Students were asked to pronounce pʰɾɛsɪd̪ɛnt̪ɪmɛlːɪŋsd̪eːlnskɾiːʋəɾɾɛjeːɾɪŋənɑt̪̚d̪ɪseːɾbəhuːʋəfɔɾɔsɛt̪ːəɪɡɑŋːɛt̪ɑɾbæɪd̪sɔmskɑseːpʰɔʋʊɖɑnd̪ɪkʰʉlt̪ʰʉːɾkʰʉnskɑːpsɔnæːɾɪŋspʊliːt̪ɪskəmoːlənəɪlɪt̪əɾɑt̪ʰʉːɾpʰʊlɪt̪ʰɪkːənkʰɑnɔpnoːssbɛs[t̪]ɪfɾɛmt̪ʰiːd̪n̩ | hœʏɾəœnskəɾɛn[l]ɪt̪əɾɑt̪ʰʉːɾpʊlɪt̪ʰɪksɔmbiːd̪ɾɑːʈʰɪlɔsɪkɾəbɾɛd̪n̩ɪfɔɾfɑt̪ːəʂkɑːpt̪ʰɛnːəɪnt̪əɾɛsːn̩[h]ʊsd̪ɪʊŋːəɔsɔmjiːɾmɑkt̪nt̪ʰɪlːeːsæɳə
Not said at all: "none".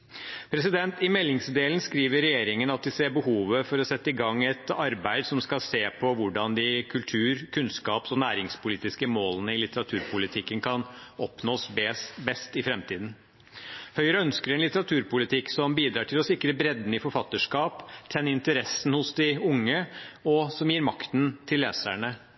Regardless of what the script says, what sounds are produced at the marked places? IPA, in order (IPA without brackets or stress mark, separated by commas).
t̪, l, h